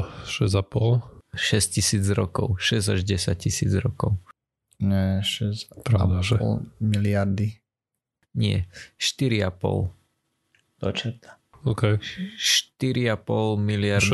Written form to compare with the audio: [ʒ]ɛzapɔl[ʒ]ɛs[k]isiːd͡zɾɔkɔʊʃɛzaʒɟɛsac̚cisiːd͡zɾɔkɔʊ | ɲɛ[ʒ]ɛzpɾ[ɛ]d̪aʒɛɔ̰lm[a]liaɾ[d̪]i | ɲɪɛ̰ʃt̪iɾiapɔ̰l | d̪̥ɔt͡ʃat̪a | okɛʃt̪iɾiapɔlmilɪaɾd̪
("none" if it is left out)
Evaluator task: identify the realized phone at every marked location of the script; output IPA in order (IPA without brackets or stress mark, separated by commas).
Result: ʃ, ʃ, c, ʃ, a, i, d̪